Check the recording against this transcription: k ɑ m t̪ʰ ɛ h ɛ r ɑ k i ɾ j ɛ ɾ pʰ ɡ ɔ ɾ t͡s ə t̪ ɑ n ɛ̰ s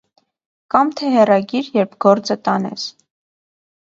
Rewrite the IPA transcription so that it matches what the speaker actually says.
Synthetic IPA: k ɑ m t̪ʰ ɛ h ɛ r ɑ ɡ i ɾ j ɛ ɾ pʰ ɡ ɔ ɾ t͡s ə t̪ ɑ n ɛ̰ s